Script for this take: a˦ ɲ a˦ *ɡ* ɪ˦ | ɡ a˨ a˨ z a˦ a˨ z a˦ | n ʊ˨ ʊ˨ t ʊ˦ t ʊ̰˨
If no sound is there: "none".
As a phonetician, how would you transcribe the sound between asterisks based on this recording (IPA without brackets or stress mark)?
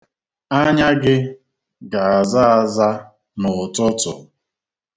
ɡ